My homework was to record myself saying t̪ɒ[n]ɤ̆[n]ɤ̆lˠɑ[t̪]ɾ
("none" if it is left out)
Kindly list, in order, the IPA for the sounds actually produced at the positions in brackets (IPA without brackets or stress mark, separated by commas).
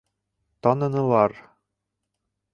n, n, none